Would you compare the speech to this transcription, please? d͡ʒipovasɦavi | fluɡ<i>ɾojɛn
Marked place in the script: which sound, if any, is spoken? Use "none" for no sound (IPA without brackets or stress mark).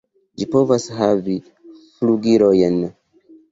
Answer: i